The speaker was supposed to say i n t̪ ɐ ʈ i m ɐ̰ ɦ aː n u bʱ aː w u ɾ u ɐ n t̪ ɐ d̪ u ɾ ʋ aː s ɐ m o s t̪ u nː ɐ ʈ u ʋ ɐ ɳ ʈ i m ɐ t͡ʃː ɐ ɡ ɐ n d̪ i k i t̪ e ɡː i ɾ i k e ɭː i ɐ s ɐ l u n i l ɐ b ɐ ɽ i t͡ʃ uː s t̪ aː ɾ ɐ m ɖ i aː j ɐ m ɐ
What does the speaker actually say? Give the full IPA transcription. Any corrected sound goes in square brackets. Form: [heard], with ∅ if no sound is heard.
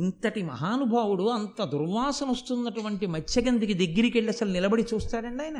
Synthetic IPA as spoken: i n t̪ ɐ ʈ i m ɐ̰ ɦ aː n u bʱ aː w u [ɽ] u ɐ n t̪ ɐ d̪ u ɾ ʋ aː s ɐ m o s t̪ u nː ɐ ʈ u ʋ ɐ ɳ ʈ i m ɐ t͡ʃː ɐ ɡ ɐ n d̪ i k i [d̪] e ɡː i ɾ i k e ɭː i ɐ s ɐ l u n i l ɐ b ɐ ɽ i t͡ʃ uː s t̪ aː ɾ ɐ [ɳ] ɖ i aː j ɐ [n] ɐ